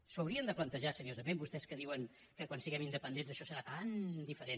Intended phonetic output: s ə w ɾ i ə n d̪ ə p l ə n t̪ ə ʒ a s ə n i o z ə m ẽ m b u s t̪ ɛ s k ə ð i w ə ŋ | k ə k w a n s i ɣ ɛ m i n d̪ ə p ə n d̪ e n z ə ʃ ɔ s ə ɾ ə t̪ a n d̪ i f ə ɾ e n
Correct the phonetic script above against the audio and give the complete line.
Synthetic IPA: s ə w ɾ i ə n d̪ ə p l ə n t̪ ə ʒ a s ə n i o z ə m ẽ m b u s t̪ ɛ s k ə ð i w ə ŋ | k ə k w a n s i ɣ ɛ m i n d̪ ə p ə n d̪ e n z ə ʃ ɔ s ə ɾ a t̪ a n d̪ i f ə ɾ e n